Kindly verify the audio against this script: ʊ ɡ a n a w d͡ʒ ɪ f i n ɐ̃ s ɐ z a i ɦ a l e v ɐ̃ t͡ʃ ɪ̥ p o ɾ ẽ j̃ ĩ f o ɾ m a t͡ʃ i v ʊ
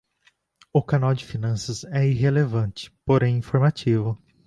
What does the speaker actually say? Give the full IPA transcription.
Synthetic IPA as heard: ʊ k a n a w d͡ʒ ɪ f i n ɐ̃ s ɐ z ɛ i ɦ e l e v ɐ̃ t͡ʃ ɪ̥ p o ɾ ẽ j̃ ĩ f o ɾ m a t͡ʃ i v ʊ